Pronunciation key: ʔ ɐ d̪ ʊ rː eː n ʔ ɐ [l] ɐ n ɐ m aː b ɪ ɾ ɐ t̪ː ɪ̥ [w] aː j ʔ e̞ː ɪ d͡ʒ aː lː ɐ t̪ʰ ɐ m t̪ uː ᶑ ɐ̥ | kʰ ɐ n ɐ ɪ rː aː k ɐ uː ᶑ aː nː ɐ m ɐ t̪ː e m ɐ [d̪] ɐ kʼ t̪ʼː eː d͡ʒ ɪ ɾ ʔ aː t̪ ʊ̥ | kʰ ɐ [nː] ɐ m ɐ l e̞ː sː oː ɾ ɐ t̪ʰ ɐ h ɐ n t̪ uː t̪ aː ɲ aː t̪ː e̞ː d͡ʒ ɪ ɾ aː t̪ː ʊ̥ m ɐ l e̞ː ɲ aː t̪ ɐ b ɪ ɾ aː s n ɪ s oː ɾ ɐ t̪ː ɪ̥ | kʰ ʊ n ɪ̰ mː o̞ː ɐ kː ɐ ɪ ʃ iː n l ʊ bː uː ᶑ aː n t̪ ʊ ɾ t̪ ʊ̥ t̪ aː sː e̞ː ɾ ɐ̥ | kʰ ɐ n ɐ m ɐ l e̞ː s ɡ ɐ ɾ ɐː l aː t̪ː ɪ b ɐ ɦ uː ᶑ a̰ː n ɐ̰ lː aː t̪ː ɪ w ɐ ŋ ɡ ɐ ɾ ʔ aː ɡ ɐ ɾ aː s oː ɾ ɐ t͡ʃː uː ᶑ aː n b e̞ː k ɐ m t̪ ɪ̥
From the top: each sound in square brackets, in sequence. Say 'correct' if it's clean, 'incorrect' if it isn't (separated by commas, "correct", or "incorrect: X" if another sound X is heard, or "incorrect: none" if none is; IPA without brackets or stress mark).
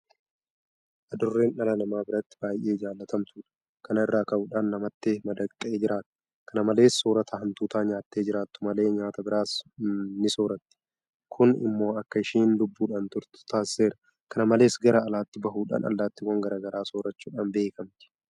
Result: correct, incorrect: b, correct, incorrect: n